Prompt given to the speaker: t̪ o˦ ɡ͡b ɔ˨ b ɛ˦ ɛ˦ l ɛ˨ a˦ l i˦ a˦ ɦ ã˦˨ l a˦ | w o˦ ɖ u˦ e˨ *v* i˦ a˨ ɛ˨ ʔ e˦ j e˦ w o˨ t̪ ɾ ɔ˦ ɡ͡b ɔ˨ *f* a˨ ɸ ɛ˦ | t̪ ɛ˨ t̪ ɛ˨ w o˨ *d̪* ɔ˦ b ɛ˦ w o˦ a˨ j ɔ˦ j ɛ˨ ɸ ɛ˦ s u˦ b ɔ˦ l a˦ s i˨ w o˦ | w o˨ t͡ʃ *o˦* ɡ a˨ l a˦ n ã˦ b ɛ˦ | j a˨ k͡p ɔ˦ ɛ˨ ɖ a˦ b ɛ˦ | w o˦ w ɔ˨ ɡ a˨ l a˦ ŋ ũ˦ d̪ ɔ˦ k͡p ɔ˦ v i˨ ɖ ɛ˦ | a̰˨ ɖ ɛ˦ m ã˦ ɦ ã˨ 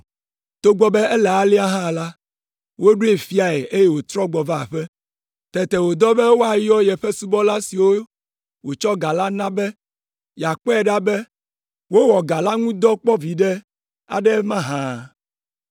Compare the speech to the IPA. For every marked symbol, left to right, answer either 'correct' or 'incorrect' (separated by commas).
incorrect, incorrect, correct, incorrect